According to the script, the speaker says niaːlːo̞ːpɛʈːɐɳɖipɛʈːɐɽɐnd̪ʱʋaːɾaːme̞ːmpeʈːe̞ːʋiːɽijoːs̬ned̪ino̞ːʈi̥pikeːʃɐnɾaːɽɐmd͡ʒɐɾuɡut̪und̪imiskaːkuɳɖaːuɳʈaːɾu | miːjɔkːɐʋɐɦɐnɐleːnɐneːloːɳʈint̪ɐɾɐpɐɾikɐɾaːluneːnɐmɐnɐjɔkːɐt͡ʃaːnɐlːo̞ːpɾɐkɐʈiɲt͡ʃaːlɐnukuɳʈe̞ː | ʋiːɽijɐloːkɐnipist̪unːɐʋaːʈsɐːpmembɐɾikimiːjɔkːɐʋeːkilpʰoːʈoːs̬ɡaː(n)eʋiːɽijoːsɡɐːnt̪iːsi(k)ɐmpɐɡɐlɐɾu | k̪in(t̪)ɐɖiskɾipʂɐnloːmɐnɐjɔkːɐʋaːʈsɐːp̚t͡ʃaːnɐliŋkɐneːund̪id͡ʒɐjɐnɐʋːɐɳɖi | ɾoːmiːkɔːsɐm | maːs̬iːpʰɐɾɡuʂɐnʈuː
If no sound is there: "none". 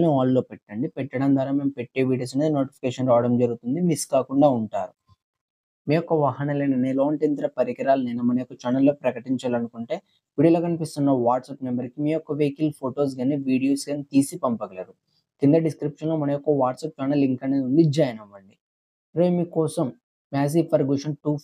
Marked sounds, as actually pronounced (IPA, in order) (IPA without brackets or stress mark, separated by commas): n, p, d̪